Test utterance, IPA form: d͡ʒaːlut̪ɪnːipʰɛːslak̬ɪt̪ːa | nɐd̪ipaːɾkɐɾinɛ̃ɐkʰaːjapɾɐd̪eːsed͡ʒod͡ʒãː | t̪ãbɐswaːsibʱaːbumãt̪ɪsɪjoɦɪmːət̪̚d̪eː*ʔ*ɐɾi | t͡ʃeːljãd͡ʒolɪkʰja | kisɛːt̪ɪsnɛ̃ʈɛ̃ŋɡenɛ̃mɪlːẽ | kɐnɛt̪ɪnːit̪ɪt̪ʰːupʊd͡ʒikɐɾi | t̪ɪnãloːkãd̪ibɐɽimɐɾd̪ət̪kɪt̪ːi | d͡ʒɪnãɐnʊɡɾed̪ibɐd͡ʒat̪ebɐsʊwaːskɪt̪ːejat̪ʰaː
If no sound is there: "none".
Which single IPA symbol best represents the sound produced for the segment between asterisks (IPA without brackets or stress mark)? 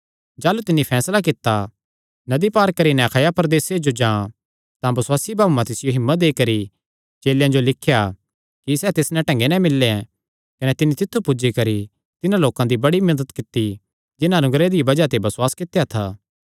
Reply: k